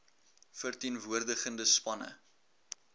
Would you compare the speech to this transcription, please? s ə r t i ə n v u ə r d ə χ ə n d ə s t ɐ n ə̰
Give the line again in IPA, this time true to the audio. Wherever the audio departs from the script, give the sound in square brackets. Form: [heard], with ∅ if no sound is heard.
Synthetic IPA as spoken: [f] ə r t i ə n v u ə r d ə χ ə n d ə s [p] ɐ n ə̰